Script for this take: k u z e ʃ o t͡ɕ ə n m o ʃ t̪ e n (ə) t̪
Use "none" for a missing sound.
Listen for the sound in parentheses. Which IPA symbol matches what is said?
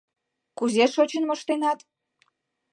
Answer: ɑ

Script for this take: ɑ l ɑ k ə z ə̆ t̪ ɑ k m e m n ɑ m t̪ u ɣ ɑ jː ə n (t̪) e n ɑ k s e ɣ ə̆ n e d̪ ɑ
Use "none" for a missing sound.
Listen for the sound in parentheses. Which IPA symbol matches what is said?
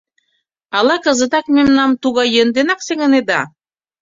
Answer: d̪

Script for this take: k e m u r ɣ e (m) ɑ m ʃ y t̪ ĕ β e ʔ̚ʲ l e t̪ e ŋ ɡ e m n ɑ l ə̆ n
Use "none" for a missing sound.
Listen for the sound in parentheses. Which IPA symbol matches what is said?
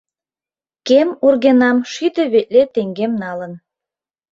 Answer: n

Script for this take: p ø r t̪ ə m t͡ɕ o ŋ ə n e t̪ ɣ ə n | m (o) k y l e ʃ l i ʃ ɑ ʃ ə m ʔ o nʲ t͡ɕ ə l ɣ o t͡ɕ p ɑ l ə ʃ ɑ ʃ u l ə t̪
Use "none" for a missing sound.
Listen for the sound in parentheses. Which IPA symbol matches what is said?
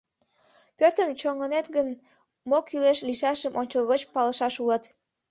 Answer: o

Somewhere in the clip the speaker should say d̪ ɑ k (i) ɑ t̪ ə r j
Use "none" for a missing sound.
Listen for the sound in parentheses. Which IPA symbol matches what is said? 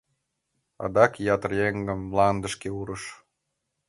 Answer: j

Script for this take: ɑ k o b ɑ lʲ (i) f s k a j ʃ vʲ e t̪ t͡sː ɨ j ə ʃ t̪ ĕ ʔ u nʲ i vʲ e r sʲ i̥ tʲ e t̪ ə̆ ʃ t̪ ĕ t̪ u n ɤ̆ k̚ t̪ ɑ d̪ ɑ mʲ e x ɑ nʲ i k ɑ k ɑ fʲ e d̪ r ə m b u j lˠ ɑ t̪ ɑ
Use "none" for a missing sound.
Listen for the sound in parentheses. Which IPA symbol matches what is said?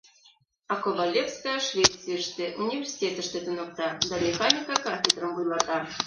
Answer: e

